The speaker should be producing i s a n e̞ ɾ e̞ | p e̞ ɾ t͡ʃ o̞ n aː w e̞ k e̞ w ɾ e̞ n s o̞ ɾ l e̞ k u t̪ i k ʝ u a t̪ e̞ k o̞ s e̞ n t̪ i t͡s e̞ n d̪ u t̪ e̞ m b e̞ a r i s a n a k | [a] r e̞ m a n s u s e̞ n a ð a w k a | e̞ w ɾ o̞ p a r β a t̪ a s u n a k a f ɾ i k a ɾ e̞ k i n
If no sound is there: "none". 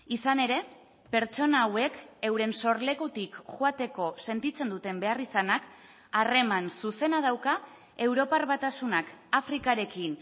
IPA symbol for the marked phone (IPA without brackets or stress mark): a